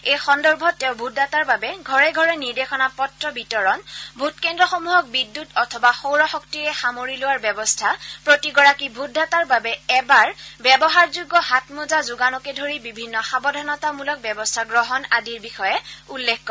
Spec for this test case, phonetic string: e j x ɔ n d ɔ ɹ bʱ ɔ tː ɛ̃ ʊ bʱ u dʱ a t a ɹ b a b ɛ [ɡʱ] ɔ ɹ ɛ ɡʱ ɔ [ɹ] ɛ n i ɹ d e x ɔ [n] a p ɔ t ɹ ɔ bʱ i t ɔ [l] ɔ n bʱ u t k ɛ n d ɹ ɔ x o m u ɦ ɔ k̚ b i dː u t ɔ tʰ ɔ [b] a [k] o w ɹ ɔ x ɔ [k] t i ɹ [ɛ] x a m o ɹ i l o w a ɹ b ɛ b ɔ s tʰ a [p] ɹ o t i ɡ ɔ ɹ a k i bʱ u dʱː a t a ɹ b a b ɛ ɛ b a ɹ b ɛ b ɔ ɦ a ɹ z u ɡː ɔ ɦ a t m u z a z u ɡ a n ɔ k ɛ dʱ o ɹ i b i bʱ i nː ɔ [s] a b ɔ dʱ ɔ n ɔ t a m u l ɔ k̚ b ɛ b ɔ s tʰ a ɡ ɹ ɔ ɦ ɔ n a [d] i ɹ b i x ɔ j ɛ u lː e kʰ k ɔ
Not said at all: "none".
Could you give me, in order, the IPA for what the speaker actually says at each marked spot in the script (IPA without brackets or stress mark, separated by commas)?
ɡʱ, ɹ, n, ɹ, b, x, k, ɛ, p, x, d